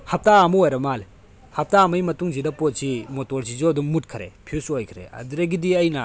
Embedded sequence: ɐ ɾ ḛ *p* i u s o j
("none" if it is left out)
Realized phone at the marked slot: pʰ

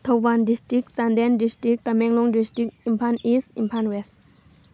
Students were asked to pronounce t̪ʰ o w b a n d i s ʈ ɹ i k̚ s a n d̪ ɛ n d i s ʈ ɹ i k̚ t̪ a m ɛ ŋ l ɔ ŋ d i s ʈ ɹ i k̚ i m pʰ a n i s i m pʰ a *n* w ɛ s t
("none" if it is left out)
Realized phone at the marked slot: n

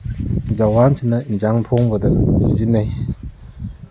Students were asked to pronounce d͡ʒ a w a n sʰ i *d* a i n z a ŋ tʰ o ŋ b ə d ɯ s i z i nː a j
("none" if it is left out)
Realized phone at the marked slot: n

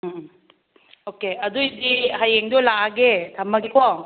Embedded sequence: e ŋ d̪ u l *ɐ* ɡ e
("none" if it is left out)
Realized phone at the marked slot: a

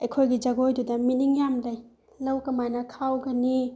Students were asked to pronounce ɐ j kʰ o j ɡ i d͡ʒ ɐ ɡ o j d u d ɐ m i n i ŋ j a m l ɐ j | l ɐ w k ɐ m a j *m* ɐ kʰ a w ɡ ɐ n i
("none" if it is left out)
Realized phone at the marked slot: n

